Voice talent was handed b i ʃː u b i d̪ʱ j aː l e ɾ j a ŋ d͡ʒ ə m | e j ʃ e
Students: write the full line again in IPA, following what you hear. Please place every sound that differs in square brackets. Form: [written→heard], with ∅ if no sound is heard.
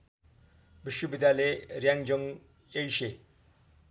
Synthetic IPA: b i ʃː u b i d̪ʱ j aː l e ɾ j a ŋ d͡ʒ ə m | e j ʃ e